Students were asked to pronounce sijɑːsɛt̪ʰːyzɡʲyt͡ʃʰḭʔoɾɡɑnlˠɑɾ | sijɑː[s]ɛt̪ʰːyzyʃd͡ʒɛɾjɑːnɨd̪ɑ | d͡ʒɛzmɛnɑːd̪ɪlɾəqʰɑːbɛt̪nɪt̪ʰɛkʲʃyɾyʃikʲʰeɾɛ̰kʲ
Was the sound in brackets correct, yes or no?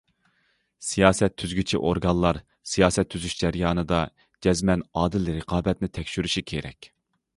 yes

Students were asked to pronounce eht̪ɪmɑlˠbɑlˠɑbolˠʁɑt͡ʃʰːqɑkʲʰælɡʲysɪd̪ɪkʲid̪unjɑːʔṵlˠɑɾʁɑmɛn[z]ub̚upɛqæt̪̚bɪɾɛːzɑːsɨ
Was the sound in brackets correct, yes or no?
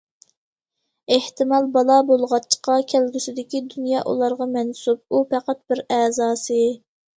no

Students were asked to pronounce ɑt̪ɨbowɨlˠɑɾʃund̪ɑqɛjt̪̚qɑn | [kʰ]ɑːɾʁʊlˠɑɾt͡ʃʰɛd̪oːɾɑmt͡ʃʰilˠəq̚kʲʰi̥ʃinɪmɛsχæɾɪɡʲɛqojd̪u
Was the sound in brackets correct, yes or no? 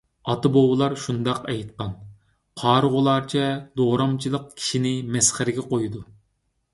no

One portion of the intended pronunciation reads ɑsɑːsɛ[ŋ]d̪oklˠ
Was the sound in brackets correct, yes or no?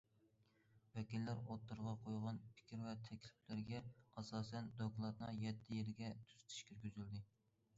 no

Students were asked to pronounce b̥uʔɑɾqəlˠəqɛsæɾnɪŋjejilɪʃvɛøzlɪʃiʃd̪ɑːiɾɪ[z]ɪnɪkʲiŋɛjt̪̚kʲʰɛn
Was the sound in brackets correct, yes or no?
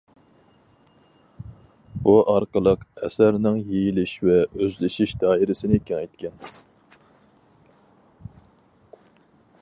no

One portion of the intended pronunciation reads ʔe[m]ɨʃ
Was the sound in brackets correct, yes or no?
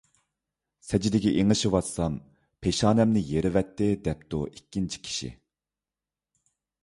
no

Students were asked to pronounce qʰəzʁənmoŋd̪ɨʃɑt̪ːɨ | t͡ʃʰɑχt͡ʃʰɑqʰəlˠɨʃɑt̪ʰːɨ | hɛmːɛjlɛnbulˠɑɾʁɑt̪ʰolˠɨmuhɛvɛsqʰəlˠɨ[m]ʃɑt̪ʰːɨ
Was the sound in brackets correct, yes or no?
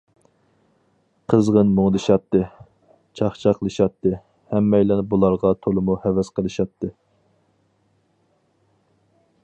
no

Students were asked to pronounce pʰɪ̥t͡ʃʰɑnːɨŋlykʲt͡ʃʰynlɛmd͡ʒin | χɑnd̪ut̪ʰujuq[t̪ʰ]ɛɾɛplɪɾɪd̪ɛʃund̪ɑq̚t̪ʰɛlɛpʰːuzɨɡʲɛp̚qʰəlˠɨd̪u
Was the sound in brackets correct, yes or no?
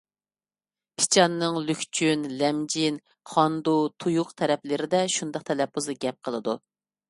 yes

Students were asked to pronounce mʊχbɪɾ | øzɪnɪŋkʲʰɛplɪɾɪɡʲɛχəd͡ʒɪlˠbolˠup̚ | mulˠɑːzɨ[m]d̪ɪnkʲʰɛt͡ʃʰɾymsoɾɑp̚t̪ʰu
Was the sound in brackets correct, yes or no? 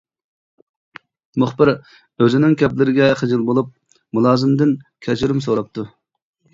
yes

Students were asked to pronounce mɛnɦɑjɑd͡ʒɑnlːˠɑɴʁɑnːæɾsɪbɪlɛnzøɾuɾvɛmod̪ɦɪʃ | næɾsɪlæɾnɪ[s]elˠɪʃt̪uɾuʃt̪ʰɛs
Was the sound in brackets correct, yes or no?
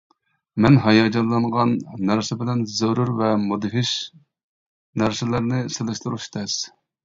yes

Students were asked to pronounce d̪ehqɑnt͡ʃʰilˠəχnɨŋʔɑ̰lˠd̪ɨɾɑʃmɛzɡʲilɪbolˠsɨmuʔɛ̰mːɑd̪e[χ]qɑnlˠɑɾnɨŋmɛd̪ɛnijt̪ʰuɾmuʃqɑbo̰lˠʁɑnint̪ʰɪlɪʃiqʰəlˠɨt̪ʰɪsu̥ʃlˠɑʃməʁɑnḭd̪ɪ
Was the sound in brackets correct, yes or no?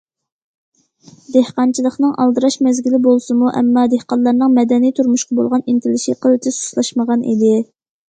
no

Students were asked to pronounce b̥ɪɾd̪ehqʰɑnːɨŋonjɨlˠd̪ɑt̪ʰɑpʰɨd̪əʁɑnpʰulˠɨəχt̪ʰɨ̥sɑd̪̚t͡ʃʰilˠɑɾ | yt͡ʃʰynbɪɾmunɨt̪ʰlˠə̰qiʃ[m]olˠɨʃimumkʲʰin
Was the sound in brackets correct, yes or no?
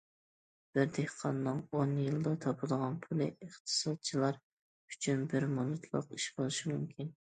no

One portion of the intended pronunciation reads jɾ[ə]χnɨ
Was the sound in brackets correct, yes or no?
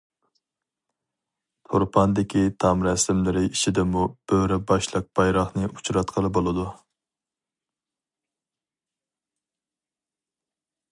no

